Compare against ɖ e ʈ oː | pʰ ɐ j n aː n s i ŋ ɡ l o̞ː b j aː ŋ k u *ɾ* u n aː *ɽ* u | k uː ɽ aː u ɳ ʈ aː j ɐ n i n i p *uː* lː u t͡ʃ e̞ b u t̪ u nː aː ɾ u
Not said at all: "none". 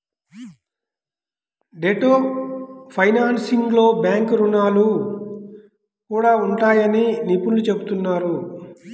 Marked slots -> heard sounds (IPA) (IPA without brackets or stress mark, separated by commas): ɾ, l, u